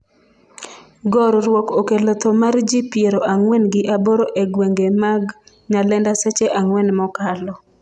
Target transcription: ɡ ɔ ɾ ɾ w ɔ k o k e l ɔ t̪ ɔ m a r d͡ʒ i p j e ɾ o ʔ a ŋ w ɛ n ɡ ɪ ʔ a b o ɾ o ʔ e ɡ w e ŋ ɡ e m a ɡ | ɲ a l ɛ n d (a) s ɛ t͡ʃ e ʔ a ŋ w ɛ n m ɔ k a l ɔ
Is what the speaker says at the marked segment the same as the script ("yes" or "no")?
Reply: yes